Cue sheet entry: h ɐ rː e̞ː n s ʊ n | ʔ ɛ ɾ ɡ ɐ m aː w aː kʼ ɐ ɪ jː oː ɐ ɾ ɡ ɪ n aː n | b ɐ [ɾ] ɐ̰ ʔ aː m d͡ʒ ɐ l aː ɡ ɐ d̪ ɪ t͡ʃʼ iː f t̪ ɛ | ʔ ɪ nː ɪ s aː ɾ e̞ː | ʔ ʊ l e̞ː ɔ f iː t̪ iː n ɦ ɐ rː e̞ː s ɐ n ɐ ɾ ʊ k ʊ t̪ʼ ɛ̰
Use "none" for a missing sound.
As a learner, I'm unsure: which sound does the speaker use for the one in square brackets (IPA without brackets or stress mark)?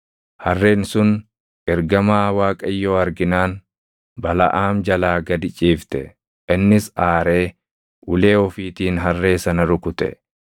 l